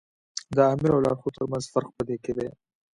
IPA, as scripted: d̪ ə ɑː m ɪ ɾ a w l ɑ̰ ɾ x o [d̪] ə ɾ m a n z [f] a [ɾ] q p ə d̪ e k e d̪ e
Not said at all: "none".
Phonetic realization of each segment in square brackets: t̪, f, ɾ

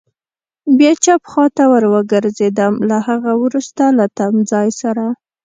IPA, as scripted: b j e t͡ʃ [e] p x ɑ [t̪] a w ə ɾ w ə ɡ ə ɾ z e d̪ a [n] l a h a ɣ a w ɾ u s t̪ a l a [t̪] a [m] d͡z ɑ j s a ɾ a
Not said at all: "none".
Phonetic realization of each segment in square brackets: a, t̪, m, t̪, m

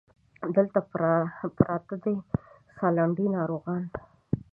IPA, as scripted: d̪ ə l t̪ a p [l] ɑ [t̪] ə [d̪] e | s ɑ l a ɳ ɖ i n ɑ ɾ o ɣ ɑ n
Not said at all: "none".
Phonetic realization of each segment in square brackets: ɾ, t̪, d̪

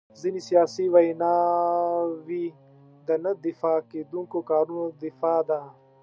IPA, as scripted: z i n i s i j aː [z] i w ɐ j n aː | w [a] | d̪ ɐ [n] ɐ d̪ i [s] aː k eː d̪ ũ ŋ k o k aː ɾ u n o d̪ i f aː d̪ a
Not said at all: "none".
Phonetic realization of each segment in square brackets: s, i, n, f

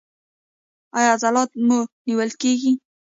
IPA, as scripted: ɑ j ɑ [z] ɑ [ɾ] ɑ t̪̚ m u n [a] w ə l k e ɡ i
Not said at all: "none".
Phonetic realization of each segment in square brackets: z, l, i

